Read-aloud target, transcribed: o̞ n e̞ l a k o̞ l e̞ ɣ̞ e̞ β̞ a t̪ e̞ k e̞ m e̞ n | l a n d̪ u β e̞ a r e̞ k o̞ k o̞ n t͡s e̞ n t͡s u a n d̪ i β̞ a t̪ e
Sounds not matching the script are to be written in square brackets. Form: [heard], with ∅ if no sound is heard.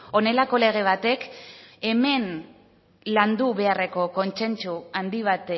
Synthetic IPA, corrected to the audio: o̞ n e̞ l a k o̞ l e̞ ɣ̞ e̞ β̞ a t̪ e̞ k e̞ m e̞ n | l a n d̪ u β e̞ a r e̞ k o̞ k o̞ n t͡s e̞ n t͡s u a n d̪ i β̞ a t̪ e

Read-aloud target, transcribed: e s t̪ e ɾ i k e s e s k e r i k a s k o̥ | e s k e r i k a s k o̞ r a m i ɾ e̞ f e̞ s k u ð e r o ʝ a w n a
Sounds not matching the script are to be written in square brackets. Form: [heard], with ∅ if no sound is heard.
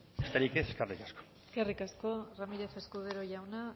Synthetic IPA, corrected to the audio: e s t̪ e ɾ i k e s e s k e r i k a s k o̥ | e s k e r i k a s k o̞ r a m i ɾ e̞ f e̞ s k u ð e [ɾ] o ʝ a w n a

